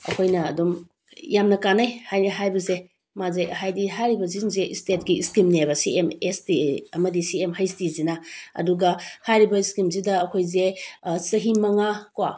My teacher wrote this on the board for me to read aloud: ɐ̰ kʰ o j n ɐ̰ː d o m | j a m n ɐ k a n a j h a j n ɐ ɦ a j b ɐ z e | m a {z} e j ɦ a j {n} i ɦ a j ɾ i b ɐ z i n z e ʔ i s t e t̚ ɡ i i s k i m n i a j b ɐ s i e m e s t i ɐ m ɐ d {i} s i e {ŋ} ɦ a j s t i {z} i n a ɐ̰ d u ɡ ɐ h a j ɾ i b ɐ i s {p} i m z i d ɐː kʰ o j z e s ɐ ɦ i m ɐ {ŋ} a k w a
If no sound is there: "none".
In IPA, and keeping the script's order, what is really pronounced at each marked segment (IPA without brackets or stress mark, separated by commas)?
z, d, i, m, z, k, ŋ